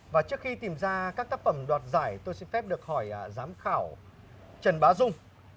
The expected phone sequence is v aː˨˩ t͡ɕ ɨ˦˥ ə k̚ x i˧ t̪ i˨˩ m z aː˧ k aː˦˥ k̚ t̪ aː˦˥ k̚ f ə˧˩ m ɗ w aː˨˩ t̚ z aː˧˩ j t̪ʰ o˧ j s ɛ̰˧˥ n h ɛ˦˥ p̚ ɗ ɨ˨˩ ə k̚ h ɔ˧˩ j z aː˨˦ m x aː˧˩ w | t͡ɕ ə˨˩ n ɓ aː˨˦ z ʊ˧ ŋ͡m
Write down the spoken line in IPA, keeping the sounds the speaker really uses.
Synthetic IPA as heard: v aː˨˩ t͡ɕ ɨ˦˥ ə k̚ x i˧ t̪ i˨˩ m z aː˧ k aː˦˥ k̚ t̪ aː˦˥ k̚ f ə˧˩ m ɗ w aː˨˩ t̚ z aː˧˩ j t̪ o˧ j s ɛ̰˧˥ n f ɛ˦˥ p̚ ɗ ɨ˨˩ ə k̚ h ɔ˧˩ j z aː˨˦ m x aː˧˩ w | t͡ɕ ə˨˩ n ɓ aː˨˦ z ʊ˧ ŋ͡m